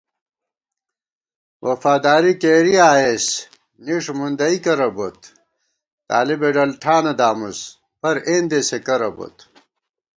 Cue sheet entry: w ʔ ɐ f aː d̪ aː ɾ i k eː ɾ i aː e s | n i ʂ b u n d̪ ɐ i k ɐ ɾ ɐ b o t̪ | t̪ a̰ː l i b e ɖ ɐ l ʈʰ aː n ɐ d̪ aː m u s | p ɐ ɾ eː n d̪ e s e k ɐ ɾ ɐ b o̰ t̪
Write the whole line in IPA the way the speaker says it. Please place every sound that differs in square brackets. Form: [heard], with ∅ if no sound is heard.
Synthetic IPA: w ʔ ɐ f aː d̪ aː ɾ i k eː ɾ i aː e s | n i ʂ [m] u n d̪ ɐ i k ɐ ɾ ɐ b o t̪ | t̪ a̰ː l i b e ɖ ɐ l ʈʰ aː n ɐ d̪ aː m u s | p ɐ ɾ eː n d̪ e s e k ɐ ɾ ɐ b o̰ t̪